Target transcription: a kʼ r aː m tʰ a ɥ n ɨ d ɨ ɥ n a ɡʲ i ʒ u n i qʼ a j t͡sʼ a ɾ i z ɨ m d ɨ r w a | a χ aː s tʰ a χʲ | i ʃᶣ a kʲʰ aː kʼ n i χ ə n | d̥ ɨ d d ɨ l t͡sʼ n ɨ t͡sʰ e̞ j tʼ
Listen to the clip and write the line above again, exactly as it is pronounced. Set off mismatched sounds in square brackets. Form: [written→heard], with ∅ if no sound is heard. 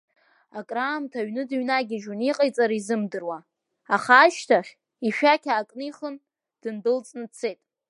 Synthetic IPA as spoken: a kʼ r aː m tʰ a ɥ n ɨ d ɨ ɥ n a ɡʲ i ʒ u n i qʼ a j t͡sʼ a ɾ i z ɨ m d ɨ r w a | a χ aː [s→ʃ] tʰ a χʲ | i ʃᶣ a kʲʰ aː kʼ n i χ ə n | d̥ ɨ [d→n] d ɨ l t͡sʼ n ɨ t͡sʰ e̞ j tʼ